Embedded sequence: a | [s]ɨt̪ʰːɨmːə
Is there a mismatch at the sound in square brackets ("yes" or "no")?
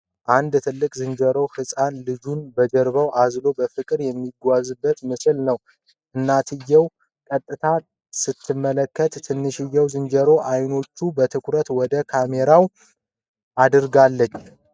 no